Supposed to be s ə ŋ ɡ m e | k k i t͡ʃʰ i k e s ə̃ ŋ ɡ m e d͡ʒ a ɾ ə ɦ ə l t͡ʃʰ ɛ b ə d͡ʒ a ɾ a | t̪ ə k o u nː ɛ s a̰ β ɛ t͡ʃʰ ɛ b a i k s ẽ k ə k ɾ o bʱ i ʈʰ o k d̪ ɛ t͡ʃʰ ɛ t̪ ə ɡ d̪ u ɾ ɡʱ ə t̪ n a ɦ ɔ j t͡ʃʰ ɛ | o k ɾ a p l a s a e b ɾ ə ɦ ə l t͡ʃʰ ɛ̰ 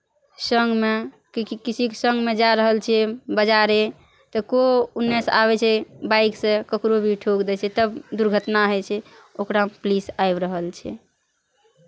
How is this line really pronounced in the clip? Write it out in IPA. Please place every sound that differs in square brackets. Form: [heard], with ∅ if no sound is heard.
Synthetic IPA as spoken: s ə ŋ ɡ m e | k k i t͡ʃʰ i k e s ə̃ ŋ ɡ m e d͡ʒ a ɾ ə ɦ ə l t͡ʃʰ ɛ b ə d͡ʒ a ɾ [e] | t̪ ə k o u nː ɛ s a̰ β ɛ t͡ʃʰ ɛ b a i k s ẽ k ə k ɾ o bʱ i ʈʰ o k d̪ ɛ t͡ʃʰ ɛ t̪ ə [b] d̪ u ɾ ɡʱ ə t̪ n a ɦ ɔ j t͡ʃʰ ɛ | o k ɾ a p l [i] s a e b ɾ ə ɦ ə l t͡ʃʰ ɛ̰